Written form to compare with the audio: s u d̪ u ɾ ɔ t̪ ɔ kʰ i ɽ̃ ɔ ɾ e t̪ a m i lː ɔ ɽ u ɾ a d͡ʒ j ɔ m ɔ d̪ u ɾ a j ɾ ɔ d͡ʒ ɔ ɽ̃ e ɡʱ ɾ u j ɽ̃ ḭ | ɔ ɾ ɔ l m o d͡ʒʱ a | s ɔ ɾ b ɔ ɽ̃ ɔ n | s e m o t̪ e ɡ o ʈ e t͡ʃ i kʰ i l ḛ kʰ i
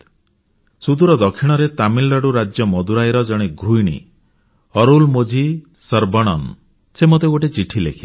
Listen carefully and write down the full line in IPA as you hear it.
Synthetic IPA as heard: s u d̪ u ɾ ɔ d̪ ɔ kʰ i ɽ̃ ɔ ɾ e t̪ a m i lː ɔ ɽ u ɾ a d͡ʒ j ɔ m ɔ d̪ u ɾ a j ɾ ɔ d͡ʒ ɔ ɽ̃ e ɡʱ ɾ u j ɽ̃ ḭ | ɔ ɾ u l m o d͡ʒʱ i | s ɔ ɾ b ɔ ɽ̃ ɔ n | s e m o t̪ e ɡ o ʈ e t͡ʃ i ʈʰ i l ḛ kʰ i

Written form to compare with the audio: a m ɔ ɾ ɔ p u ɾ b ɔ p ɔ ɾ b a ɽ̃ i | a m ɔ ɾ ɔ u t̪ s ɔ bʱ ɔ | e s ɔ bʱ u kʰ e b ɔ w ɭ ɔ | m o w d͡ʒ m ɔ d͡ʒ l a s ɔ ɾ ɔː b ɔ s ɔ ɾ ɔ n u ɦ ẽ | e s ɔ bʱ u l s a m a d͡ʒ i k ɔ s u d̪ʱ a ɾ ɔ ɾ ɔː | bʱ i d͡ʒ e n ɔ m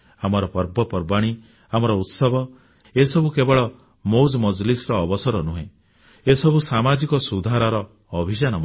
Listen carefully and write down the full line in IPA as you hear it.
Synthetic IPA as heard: a m ɔ ɾ ɔ p ɔ ɾ b ɔ p ɔ ɾ b a ɽ̃ i | a m ɔ ɾ ɔ u t̪ s ɔ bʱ ɔ | e s ɔ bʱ u k e b ɔ ɭ ɔ | m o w d͡ʒ m ɔ d͡ʒ l i s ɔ ɾ ɔː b ɔ s ɔ ɾ ɔ n u ɦ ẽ | e s ɔ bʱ u s a m a d͡ʒ i k ɔ s u d̪ʱ a ɾ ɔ ɾ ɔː | bʱ i d͡ʒ a n ɔ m

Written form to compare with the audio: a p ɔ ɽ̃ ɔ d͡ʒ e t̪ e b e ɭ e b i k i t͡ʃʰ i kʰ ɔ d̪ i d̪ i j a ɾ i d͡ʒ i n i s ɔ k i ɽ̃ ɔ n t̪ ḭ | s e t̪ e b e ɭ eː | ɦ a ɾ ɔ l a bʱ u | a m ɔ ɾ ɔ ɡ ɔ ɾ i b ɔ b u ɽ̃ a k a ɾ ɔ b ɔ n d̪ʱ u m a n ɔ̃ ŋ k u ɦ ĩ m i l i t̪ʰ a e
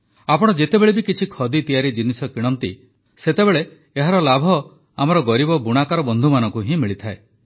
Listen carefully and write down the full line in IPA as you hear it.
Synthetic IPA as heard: a p ɔ ɽ̃ ɔ d͡ʒ e t̪ e b e ɭ e b i k i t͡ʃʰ i kʰ ɔ d̪ i t̪ i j a ɾ i d͡ʒ i n i s ɔ k i ɽ̃ ɔ n t̪ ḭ | s e t̪ e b e ɭ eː | ɦ a ɾ ɔ l a bʱ ɔ | a m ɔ ɾ ɔ ɡ ɔ ɾ i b ɔ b u ɽ̃ a k a ɾ ɔ b ɔ n d̪ʱ u m a n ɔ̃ ŋ k u ɦ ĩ m i ɭ i t̪ʰ a e

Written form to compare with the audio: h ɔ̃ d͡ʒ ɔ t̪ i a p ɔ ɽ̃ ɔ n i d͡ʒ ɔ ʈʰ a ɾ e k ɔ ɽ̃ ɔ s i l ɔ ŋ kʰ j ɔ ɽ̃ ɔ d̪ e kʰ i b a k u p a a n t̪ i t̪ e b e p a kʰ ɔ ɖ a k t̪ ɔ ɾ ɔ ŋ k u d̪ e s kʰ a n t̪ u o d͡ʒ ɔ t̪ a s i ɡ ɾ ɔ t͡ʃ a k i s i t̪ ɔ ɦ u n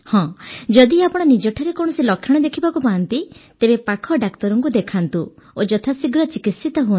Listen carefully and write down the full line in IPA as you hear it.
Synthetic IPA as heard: h ɔ̃ d͡ʒ ɔ d̪ i a p ɔ ɽ̃ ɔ n i d͡ʒ ɔ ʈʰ a ɾ e k ɔ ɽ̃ ɔ s i l ɔ kʰ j ɔ ɽ̃ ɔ d̪ e kʰ i b a k u p a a n t̪ i t̪ e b e p a kʰ ɔ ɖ a k t̪ ɔ ɾ ɔ ŋ k u d̪ e kʰ a n t̪ u o d͡ʒ ɔ t̪ʰ a s i ɡ ɾ ɔ t͡ʃ i k i s i t̪ ɔ ɦ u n

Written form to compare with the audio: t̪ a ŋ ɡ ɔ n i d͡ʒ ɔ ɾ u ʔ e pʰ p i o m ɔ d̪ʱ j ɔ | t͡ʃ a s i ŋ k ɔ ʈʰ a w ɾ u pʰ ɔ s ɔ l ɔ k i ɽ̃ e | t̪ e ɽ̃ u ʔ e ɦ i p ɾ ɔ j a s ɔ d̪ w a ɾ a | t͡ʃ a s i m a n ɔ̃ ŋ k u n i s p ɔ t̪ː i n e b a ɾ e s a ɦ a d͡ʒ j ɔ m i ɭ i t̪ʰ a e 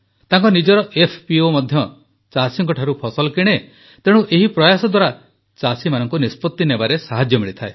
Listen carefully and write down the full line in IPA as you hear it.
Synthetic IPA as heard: t̪ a ŋ k ɔ n i d͡ʒ ɔ ɾ ɔ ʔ e pʰ p i o m ɔ d̪ʱ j ɔ | t͡ʃ a s i ŋ k ɔ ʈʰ a ɾ u pʰ ɔ s ɔ l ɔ k i ɽ̃ e | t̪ e ɽ̃ u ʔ e ɦ i p ɾ ɔ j a s ɔ d̪ w a ɾ a | t͡ʃ a s i m a n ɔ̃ ŋ k u n i s p ɔ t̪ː i n e b a ɾ e s a ɦ a d͡ʒ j ɔ m i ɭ i t̪ʰ a e

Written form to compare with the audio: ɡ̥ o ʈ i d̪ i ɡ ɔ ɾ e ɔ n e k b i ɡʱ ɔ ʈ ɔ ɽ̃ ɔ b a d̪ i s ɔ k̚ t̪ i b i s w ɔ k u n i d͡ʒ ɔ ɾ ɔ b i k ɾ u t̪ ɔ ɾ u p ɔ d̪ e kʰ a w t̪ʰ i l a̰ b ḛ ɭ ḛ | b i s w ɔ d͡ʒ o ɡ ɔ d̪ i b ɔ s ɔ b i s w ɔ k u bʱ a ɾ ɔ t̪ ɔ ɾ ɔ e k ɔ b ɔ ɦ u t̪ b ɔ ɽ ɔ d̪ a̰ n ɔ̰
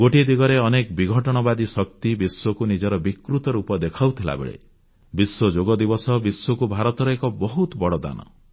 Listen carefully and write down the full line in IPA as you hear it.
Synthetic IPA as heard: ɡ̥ o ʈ i d̪ i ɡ ɔ ɾ e ɔ n e k b i ɡʱ ɔ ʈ ɔ ɽ̃ ɔ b a d̪ i s ɔ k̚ t̪ i b i s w ɔ k u n i d͡ʒ ɔ ɾ ɔ b i k ɾ u t̪ ɔ ɾ u p ɔ d̪ e kʰ a w t̪ʰ i l a̰ b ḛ ɭ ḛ | b i s w ɔ d͡ʒ o ɡ ɔ d̪ i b ɔ s ɔ b i s w ɔ k u bʱ a ɾ ɔ t̪ ɔ ɾ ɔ e k ɔ b ɔ ɦ u t̪ b ɔ ɽ ɔ d̪ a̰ n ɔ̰

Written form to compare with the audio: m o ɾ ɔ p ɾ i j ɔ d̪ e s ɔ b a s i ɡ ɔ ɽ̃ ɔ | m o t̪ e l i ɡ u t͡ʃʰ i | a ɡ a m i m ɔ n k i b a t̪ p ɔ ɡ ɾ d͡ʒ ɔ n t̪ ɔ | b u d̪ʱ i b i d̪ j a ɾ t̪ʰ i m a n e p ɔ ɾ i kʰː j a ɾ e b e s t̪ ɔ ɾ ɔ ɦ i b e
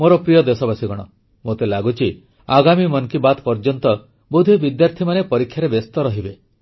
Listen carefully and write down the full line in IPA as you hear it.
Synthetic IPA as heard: m o ɾ ɔ p ɾ i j ɔ d̪ e s ɔ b a s i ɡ ɔ ɽ̃ ɔ | m o t̪ e l a ɡ u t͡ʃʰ i | a ɡ a m i m ɔ n k i b a t̪ p ɔ ɾ d͡ʒ ɔ n t̪ ɔ | b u d̪ʱ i b i d̪ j a ɾ t̪ʰ i m a n e p ɔ ɾ i kʰː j a ɾ e b e s t̪ ɔ ɾ ɔ ɦ i b e

